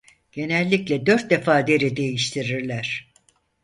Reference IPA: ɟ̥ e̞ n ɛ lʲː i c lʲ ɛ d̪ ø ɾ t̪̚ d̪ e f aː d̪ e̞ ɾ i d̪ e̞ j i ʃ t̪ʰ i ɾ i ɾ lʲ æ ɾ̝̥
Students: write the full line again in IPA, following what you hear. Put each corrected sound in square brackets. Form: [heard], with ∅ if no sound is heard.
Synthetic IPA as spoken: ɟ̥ e̞ n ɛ lʲː i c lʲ ɛ d̪ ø ɾ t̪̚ d̪ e f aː d̪ e̞ ɾ i d̪ e̞ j i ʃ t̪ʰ i ɾ i ɾ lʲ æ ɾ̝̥